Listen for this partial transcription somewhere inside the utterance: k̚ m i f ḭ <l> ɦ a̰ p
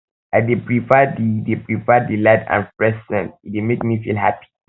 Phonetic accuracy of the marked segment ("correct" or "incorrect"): correct